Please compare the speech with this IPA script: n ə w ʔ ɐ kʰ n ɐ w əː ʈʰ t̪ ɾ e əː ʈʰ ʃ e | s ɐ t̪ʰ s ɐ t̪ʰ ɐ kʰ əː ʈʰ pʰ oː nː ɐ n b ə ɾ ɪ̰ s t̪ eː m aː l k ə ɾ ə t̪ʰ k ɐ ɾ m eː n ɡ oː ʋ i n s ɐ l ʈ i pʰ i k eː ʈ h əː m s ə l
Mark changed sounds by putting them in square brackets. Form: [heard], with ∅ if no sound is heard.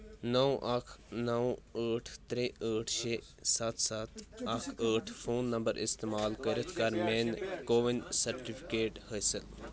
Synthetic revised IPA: n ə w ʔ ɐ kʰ n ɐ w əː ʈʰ t̪ ɾ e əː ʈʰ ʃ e | s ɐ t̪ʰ s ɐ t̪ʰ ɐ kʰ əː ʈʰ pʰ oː nː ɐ [m] b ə ɾ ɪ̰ s t̪ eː m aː l k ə ɾ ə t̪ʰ k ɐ ɾ m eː n [k] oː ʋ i n s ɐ [ɾ] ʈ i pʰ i k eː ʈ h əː [∅] s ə l